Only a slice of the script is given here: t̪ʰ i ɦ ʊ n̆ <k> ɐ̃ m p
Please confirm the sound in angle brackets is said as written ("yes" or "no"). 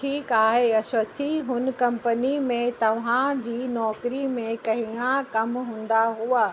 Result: yes